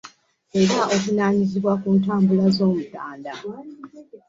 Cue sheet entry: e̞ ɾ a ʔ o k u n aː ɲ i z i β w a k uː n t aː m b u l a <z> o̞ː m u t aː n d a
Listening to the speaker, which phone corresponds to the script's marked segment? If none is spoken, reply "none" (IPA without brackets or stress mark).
z